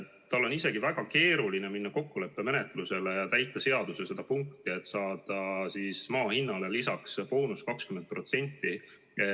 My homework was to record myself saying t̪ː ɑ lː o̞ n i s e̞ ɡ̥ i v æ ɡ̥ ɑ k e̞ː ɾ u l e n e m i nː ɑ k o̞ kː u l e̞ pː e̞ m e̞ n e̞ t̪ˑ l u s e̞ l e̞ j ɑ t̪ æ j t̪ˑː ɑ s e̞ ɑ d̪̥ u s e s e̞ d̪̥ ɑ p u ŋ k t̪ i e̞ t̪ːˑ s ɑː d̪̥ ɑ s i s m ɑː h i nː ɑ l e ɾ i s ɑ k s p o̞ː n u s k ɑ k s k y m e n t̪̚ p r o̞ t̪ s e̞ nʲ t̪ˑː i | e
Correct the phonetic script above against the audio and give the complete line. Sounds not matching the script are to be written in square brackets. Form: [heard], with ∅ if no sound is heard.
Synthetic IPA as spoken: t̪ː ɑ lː o̞ n i s e̞ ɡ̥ i v æ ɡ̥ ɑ k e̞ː ɾ u l [i] n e m i nː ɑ k o̞ kː u l e̞ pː e̞ m e̞ n e̞ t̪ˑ l u s e̞ l e̞ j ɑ t̪ æ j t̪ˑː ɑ s e̞ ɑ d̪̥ u s e s e̞ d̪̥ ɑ p u ŋ k t̪ i e̞ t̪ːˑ s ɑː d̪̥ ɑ s i s m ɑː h i nː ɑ l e [l] i s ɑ k s p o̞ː n u s k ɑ k s k y m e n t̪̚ p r o̞ t̪ s e̞ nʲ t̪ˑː i | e

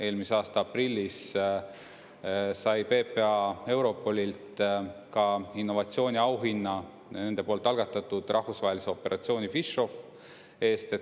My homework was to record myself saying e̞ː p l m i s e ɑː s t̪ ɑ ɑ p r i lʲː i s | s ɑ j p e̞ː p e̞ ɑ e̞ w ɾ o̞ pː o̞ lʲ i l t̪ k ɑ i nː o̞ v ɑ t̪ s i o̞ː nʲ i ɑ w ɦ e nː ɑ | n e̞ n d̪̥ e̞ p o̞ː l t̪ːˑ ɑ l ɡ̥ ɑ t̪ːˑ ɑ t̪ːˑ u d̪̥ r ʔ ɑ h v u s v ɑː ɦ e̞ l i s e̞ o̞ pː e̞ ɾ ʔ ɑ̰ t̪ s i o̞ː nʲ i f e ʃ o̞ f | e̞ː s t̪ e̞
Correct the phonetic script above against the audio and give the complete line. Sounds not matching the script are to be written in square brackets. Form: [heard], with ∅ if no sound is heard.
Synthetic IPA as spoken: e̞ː [∅] l m i s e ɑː s t̪ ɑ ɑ p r i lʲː i s | s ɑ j p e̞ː p e̞ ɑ e̞ w ɾ o̞ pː o̞ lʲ i l t̪ k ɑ i nː o̞ v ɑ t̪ s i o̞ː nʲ i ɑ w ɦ [i] nː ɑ | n e̞ n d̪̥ e̞ p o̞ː l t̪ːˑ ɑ l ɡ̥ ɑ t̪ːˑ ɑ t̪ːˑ u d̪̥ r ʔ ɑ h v u s v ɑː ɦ e̞ l i s e̞ o̞ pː e̞ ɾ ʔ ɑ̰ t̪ s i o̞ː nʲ i f [i] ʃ o̞ f | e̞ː s t̪ e̞

